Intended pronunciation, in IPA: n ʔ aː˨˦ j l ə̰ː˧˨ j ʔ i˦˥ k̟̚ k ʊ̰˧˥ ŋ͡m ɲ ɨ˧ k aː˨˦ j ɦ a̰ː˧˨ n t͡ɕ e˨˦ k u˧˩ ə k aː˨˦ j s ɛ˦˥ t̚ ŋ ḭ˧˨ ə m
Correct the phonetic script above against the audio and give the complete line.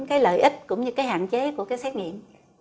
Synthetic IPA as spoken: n k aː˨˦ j l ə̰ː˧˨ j ʔ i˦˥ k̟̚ k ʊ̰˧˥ ŋ͡m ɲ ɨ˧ k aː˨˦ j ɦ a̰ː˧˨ n t͡ɕ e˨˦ k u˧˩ ə k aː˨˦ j s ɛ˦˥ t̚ ŋ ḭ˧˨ ə m

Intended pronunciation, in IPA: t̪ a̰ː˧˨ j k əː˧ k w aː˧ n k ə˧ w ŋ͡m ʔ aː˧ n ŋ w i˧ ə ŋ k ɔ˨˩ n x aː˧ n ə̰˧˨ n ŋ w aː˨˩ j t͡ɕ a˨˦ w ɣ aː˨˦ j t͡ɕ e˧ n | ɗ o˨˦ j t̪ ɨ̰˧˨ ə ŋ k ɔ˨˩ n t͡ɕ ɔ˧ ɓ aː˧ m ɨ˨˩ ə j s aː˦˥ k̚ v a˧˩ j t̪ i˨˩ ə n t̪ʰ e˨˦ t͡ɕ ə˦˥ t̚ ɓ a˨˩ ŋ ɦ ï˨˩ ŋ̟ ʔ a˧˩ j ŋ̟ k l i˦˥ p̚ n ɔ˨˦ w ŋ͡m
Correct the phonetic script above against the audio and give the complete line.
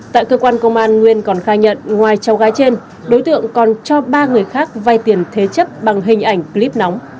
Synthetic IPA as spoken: t̪ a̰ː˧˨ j k əː˧ k w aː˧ n k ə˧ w ŋ͡m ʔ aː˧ n ŋ w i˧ ə n k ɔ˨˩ n x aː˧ ɲ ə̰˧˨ n ŋ w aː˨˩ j t͡ɕ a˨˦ w ɣ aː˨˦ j t͡ɕ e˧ n | ɗ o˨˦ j t̪ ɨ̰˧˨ ə ŋ k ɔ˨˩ n t͡ɕ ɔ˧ ɓ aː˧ ŋ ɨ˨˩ ə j x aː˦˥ k̚ v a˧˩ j t̪ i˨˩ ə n t̪ʰ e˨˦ t͡ɕ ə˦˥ p̚ ɓ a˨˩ ŋ ɦ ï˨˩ ŋ̟ ʔ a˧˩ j ŋ̟ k l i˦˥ p̚ n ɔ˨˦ w ŋ͡m

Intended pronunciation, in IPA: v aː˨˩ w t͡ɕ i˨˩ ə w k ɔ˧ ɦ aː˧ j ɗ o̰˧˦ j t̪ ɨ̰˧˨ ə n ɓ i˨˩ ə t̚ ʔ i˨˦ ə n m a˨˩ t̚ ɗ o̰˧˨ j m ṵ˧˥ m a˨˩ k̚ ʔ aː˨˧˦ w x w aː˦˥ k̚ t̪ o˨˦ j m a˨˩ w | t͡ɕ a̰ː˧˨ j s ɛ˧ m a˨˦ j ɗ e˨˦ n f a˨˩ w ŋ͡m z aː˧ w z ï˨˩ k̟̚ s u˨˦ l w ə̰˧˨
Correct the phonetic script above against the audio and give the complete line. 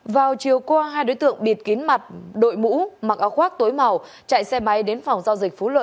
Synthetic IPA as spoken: v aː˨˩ w t͡ɕ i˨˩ ə w k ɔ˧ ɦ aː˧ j ɗ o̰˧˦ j t̪ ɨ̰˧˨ ə ŋ ɓ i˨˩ ə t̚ k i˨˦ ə n m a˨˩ t̚ ɗ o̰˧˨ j m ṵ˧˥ m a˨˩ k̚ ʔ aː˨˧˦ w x w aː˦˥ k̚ t̪ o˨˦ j m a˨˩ w | t͡ɕ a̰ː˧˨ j s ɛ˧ m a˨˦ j ɗ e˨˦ n f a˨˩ w ŋ͡m z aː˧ w z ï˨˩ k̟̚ f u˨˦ l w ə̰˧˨

